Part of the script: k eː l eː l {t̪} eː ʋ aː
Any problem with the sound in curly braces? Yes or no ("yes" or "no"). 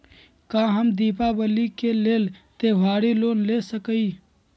no